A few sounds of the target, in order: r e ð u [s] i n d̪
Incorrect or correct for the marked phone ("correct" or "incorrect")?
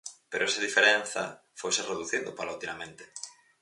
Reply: incorrect